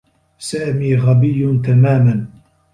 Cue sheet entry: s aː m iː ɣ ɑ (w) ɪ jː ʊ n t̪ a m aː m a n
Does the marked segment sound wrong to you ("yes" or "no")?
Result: yes